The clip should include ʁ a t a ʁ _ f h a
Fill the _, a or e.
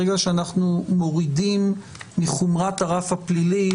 a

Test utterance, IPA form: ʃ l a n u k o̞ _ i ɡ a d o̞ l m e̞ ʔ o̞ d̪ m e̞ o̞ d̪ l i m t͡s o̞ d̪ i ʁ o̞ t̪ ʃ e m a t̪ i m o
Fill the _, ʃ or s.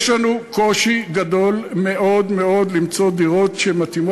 ʃ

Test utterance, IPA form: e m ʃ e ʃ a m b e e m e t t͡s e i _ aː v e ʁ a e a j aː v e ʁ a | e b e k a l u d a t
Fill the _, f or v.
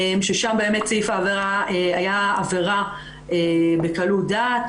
f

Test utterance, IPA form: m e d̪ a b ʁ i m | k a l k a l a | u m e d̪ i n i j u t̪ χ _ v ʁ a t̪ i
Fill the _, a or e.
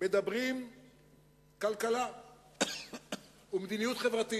e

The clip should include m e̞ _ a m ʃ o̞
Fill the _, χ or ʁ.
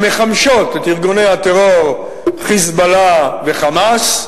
χ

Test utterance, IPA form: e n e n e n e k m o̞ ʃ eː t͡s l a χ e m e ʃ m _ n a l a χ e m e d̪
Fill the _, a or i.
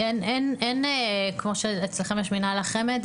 i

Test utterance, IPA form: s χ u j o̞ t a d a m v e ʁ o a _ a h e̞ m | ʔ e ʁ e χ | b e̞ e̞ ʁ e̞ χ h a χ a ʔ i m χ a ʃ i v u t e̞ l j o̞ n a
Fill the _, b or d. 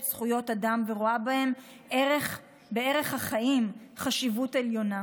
b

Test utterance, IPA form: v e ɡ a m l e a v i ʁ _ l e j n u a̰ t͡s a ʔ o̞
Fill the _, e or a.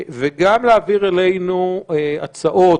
e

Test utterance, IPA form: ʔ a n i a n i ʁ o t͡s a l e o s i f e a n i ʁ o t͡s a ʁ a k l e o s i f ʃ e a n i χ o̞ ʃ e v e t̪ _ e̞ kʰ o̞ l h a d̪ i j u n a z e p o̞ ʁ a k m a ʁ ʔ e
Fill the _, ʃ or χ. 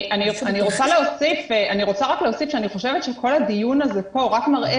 ʃ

